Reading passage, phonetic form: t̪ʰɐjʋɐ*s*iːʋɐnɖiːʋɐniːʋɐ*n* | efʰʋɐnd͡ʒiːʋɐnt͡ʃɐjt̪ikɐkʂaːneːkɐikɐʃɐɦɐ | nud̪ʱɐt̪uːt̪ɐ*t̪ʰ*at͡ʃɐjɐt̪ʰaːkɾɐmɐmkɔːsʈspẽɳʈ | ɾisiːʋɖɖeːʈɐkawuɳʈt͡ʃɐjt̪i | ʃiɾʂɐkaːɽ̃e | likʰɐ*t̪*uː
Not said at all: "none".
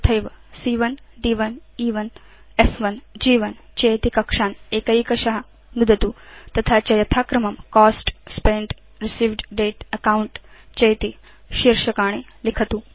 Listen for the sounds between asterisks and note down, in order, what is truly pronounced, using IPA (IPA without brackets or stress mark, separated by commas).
s, n, t̪ʰ, t̪